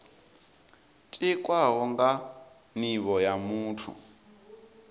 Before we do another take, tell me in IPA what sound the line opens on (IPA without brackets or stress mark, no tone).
tʼ